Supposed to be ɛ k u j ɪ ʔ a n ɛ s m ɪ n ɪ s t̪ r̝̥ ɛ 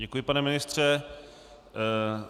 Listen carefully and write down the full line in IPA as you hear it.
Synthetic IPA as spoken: ɛ k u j ɪ p a n ɛ m ɪ n ɪ s t̪ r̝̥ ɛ